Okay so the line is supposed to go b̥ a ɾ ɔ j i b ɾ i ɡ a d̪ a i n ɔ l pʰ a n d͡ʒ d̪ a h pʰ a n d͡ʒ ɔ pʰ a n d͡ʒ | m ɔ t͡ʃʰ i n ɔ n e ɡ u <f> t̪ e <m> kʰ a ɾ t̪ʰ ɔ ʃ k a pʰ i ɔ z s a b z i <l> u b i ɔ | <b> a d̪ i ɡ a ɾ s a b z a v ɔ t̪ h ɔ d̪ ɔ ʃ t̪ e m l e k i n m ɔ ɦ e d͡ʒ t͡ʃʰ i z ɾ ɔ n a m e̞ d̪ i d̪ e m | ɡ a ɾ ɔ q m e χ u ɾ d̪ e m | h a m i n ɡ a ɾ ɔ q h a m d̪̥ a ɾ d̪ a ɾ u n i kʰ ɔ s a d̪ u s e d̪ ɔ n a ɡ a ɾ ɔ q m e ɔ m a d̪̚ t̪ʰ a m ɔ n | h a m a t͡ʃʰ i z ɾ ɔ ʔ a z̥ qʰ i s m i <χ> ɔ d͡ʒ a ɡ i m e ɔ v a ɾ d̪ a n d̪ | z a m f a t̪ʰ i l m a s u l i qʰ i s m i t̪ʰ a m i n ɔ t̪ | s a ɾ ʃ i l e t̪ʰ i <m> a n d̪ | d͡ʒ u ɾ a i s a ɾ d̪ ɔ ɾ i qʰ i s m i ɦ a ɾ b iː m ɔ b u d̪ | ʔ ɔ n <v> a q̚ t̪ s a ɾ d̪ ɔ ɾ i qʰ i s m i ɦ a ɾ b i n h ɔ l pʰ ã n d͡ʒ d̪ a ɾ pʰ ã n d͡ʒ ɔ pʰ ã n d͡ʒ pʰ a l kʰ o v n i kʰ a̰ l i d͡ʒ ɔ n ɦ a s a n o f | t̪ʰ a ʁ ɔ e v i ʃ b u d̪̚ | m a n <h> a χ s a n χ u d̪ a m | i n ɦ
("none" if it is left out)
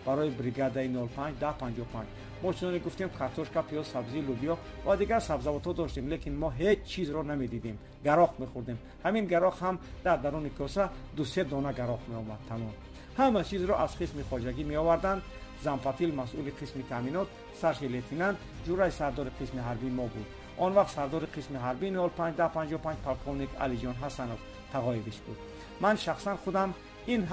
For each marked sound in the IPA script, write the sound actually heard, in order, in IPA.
f, m, l, v, χ, n, v, ʃ

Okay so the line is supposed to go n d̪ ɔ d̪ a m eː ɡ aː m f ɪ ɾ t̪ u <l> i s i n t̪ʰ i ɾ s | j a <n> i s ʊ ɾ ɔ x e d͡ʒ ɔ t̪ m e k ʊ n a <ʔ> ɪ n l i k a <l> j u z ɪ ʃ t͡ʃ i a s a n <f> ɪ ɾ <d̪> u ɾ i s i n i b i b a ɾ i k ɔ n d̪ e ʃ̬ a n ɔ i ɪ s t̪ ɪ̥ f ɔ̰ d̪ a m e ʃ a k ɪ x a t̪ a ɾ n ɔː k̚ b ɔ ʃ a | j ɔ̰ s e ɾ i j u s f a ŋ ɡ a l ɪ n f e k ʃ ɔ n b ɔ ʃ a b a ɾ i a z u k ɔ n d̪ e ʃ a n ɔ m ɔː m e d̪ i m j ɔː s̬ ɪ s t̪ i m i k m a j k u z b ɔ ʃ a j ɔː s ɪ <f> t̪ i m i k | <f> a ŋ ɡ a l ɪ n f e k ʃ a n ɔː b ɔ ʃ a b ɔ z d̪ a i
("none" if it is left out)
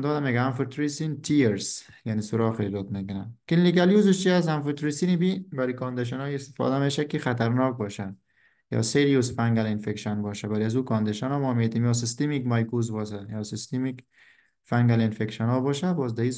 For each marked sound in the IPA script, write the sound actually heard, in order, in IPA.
ɾ, n, k, l, f, t̪, s, f

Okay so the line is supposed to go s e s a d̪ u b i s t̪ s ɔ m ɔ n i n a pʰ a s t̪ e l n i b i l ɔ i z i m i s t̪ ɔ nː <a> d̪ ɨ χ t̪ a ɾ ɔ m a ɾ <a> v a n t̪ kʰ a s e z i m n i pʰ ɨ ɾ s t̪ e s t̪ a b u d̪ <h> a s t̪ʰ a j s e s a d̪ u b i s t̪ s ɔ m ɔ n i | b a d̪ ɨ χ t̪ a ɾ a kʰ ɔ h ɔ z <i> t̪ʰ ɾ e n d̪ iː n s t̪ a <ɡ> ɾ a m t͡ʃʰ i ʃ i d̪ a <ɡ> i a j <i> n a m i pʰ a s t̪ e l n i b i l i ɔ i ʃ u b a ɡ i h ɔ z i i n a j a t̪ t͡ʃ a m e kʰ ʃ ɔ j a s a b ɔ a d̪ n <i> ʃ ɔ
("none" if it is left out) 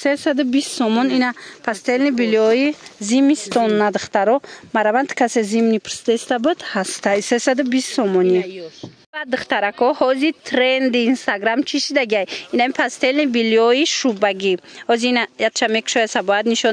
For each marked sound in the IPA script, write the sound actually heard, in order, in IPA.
a, a, h, i, ɡ, ɡ, i, i

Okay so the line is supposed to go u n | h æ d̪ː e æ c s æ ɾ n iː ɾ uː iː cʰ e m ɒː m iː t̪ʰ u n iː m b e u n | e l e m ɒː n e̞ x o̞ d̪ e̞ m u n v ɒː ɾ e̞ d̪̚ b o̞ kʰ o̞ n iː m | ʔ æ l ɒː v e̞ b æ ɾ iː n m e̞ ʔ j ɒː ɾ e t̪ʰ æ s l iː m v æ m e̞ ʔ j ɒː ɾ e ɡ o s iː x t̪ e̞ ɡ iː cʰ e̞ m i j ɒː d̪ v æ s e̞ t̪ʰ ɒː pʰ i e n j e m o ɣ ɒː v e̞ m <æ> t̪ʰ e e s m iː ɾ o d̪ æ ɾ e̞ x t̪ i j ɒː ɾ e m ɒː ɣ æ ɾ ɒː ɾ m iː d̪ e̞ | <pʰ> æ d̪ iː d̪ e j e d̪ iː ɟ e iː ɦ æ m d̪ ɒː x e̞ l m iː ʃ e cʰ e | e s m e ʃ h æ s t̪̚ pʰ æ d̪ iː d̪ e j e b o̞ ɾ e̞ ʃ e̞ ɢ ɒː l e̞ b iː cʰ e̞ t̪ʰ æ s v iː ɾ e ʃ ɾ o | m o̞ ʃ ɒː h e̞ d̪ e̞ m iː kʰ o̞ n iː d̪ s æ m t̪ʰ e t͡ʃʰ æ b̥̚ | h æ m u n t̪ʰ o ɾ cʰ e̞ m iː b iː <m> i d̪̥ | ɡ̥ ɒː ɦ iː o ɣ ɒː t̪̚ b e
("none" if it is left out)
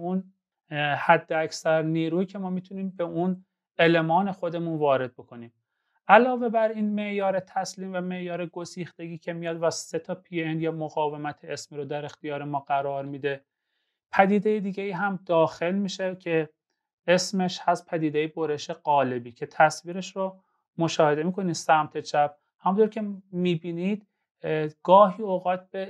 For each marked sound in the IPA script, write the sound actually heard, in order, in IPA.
æ, pʰ, n

